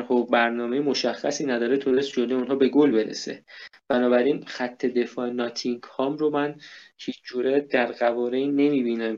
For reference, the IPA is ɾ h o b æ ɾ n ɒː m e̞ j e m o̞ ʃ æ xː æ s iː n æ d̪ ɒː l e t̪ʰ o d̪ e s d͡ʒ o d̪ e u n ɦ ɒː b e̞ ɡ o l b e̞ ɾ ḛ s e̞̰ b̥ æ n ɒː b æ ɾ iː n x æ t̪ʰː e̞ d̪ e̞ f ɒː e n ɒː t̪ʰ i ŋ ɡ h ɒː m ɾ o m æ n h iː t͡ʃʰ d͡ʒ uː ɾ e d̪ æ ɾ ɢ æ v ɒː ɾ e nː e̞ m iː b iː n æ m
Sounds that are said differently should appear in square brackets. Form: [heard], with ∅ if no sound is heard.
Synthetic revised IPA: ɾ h o b æ ɾ n ɒː m e̞ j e m o̞ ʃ æ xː æ s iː n æ d̪ ɒː [ɾ] e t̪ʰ o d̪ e s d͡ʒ o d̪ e u n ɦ ɒː b e̞ ɡ o l b e̞ ɾ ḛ s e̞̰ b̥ æ n ɒː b æ ɾ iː n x æ t̪ʰː e̞ d̪ e̞ f ɒː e n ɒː t̪ʰ i ŋ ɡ h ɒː m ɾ o m æ n h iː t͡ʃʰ d͡ʒ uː ɾ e d̪ æ ɾ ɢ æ v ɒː ɾ e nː e̞ m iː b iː n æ m